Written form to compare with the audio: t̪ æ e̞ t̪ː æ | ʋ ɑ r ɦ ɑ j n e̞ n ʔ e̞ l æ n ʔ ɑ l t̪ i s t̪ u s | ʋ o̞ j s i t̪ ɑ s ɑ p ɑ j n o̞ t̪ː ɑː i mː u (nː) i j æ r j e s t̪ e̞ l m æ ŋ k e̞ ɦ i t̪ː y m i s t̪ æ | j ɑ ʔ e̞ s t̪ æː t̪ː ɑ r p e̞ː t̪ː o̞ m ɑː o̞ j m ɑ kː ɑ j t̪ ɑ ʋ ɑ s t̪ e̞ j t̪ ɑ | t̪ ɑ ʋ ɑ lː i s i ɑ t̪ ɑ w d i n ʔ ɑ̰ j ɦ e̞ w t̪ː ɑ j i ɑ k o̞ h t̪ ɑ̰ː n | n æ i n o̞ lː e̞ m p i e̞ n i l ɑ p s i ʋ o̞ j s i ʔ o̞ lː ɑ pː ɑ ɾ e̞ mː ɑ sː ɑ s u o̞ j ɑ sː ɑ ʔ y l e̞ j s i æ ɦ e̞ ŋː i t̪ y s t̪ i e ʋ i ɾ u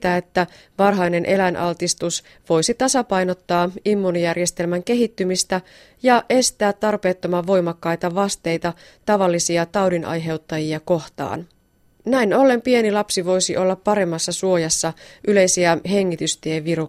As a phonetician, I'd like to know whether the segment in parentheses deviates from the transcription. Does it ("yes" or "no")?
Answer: yes